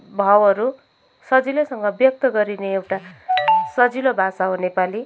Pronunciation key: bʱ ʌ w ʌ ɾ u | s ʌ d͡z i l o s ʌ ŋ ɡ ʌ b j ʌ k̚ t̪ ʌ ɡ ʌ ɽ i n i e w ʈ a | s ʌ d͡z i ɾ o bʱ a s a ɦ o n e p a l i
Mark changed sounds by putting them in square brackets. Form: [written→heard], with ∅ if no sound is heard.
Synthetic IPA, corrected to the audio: bʱ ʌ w ʌ ɾ u | s ʌ d͡z i l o s ʌ ŋ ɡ ʌ b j ʌ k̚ t̪ ʌ ɡ ʌ [ɽ→ɾ] i n [i→e] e w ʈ a | s ʌ d͡z i [ɾ→l] o bʱ a s a ɦ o n e p a l i